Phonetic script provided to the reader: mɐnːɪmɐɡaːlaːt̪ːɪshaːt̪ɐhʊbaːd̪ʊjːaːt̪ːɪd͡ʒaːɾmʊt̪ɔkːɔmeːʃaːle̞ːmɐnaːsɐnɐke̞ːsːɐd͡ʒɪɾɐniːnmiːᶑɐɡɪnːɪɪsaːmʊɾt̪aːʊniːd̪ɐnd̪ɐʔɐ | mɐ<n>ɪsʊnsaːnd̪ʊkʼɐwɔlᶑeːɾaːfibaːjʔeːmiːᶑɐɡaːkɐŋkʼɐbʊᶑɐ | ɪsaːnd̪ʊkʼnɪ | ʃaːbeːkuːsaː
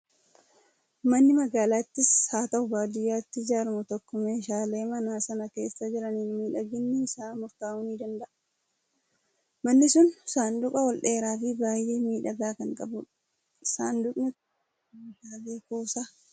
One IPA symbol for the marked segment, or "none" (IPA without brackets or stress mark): nː